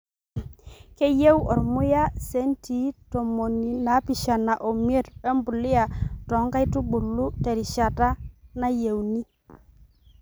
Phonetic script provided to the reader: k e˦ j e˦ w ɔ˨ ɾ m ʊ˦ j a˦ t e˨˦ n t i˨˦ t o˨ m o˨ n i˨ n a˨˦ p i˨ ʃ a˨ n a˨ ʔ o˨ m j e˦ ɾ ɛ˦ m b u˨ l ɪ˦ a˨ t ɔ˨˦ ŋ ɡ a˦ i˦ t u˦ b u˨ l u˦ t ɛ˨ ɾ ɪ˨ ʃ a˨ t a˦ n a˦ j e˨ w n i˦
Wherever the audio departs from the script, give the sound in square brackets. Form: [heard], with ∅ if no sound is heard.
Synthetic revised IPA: k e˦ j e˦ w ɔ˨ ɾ m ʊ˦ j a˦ [s] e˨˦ n t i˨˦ t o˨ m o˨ n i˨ n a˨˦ p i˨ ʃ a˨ n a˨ ʔ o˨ m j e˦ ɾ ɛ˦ m b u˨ l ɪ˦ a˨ t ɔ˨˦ ŋ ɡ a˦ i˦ t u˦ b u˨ l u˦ t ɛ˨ ɾ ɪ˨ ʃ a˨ t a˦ n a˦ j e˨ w n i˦